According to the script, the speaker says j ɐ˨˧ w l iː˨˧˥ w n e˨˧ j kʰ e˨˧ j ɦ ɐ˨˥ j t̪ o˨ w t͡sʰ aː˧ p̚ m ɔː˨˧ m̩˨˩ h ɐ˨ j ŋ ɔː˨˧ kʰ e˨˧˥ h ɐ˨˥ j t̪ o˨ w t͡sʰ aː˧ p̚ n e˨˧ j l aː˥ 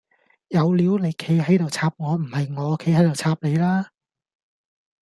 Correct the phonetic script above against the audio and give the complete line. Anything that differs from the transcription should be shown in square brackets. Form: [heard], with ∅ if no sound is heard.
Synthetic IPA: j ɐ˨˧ w l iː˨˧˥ w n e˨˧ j kʰ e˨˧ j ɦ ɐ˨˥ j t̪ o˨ w t͡sʰ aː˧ p̚ [ŋ] ɔː˨˧ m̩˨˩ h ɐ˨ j ŋ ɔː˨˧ kʰ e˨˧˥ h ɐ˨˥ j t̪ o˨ w t͡sʰ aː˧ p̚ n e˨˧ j l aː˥